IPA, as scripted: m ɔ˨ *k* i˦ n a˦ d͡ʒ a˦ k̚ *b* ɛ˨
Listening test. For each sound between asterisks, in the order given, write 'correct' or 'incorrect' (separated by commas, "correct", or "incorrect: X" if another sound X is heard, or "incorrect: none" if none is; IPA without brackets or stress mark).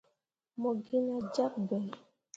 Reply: incorrect: ɡ, correct